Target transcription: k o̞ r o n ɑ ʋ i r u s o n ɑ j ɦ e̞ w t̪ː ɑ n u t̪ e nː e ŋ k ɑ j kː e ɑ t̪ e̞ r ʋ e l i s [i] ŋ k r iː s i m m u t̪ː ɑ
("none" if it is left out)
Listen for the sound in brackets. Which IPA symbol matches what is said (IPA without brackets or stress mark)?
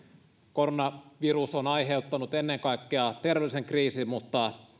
e